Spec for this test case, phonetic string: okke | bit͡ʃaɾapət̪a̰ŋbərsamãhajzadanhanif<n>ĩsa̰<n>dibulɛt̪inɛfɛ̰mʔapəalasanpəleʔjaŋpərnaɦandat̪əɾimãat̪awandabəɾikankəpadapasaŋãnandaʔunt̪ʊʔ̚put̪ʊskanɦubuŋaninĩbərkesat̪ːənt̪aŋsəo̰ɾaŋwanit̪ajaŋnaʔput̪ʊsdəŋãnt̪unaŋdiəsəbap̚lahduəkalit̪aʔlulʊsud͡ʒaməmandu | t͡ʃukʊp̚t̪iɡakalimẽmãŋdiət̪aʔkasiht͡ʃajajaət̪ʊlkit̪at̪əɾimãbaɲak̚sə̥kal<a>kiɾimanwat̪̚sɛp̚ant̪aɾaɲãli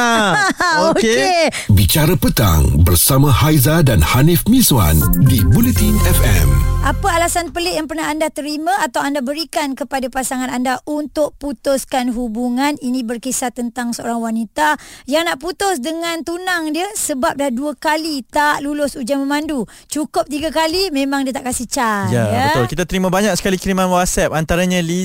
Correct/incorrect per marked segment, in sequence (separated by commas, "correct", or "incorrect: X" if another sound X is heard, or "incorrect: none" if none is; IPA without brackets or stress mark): incorrect: m, correct, incorrect: i